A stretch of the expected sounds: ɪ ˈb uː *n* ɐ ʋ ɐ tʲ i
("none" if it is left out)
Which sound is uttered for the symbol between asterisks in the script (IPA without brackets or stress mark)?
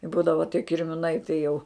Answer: d